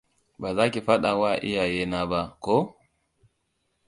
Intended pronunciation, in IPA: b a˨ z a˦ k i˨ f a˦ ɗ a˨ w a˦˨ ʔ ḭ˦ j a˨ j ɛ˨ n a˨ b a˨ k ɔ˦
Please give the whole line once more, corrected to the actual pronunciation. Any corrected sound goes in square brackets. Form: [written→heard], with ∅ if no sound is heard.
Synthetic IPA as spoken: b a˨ z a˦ k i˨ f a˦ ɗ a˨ w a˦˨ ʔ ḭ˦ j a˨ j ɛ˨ n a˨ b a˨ k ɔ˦